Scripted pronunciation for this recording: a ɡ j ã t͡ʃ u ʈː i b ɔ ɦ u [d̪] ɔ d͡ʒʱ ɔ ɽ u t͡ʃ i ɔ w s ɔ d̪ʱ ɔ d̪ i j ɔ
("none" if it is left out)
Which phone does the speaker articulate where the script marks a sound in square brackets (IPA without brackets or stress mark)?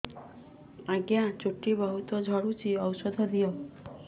t̪